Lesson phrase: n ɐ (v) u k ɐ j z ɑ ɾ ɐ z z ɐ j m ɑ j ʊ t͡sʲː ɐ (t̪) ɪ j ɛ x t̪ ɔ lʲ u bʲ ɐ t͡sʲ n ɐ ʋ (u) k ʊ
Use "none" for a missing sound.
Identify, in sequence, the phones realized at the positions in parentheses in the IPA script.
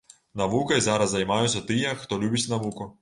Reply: ʋ, t̪, u

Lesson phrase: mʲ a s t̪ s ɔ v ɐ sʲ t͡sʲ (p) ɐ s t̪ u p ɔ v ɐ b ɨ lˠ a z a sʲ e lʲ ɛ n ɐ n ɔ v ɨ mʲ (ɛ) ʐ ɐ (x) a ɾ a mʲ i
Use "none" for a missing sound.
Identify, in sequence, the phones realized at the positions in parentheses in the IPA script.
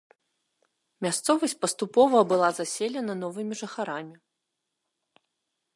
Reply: p, i, x

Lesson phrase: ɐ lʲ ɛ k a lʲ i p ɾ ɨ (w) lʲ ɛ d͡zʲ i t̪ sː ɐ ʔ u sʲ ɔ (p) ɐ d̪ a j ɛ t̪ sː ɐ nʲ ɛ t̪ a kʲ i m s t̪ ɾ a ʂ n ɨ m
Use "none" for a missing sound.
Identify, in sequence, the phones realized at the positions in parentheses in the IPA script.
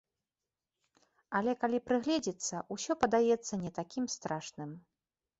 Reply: ɣ, p

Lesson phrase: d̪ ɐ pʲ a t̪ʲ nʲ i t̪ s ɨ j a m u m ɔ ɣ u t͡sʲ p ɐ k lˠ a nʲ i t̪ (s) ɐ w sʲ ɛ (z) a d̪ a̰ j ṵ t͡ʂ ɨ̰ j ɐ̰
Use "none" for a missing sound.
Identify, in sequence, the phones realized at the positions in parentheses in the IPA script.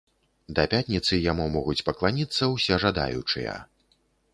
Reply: sː, ʐ

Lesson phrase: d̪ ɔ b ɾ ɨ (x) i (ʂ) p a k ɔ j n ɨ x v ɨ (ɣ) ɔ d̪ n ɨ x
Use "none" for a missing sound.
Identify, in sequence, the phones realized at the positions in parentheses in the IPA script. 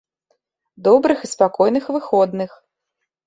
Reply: x, s, x

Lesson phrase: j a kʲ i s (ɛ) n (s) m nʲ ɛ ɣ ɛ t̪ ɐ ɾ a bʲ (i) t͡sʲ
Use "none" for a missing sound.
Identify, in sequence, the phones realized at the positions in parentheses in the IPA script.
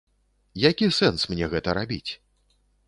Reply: ɛ, s, i

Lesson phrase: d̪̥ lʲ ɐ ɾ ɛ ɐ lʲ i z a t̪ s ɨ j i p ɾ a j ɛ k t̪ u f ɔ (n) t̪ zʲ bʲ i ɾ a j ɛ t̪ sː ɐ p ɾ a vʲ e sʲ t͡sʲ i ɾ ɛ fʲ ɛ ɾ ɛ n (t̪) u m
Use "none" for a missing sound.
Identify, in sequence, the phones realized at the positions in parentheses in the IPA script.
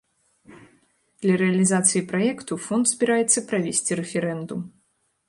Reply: n, d̪

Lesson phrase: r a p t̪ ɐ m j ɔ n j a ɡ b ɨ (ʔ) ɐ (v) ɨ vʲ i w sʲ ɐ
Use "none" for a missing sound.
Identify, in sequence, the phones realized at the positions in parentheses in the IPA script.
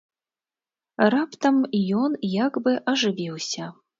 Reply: ʔ, ʐ

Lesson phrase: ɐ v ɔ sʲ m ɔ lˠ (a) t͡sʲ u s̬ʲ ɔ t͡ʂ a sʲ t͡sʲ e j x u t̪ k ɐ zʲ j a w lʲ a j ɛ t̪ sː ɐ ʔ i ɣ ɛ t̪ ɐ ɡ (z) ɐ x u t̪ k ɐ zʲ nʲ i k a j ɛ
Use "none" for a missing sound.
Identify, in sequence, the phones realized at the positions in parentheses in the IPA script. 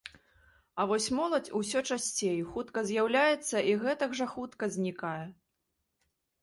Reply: ɐ, ʐ

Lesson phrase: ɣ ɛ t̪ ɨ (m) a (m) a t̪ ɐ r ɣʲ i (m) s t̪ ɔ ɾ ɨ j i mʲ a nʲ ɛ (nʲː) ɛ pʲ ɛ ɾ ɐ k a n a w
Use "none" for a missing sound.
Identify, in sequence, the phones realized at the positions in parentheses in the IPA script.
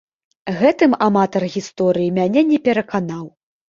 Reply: m, m, none, nʲ

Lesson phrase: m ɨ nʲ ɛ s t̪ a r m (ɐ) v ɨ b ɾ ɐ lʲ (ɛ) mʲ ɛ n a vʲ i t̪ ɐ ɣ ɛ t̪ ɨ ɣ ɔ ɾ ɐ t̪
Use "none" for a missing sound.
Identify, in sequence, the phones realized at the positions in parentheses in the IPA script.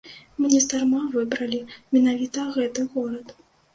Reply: a, i

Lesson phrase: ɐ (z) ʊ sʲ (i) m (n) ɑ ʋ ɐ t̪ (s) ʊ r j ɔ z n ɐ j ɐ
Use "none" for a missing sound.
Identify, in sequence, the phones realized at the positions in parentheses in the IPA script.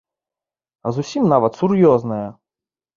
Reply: z, i, n, s

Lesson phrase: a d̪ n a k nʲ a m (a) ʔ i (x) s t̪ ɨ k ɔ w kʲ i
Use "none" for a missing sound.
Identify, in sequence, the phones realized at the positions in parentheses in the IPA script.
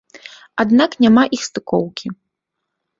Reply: a, x

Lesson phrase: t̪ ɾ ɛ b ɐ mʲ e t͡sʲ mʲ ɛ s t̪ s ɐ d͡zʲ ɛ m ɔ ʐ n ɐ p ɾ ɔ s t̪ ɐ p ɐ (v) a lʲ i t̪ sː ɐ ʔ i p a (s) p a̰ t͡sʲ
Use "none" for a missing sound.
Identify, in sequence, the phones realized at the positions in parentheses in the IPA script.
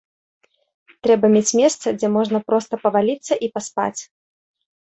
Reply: v, s

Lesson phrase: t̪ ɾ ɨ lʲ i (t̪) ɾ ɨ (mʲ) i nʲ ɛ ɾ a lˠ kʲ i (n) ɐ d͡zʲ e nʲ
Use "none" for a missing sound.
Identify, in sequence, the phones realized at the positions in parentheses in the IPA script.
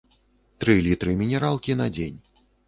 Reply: t̪, mʲ, n

